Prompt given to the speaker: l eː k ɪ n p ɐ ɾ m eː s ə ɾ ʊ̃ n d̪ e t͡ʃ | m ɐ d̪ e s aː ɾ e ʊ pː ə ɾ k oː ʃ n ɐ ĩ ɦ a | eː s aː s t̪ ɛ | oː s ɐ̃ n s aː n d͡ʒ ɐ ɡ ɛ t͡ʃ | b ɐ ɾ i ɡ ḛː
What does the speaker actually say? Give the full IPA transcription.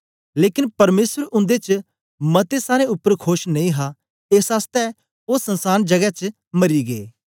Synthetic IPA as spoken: l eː k ɪ n p ɐ ɾ m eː s ə ɾ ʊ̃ n d̪ e t͡ʃ | m ɐ t̪ e s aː ɾ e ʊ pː ə ɾ kʰ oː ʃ n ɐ ĩ ɦ a | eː s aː s t̪ ɛ | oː s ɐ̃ n s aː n d͡ʒ ɐ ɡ ɛ t͡ʃ | m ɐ ɾ i ɡ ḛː